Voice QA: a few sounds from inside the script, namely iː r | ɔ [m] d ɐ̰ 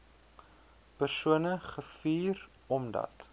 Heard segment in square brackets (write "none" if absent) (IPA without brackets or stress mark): m